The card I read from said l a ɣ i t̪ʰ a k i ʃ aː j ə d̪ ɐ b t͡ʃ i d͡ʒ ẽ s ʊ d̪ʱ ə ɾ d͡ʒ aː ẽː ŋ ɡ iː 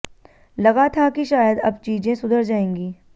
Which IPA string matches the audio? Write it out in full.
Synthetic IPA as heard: l ɐ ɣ a t̪ʰ a k i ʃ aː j ə d̪ ɐ b t͡ʃ iː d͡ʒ ẽ s ʊ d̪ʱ ə ɾ d͡ʒ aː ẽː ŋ ɡ iː